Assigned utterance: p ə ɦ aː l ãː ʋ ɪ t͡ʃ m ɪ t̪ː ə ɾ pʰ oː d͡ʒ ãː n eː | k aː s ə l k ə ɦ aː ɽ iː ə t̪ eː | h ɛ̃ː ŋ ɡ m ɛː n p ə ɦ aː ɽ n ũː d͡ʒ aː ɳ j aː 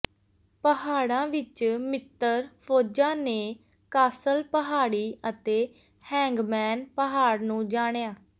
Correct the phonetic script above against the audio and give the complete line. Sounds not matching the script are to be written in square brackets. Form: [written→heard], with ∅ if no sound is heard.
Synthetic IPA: p ə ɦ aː [l→ɽ] ãː ʋ ɪ t͡ʃ m ɪ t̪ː ə ɾ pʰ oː d͡ʒ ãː n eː | k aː s ə l [k→p] ə ɦ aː ɽ iː ə t̪ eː | h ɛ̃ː ŋ ɡ m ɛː n p ə ɦ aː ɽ n ũː d͡ʒ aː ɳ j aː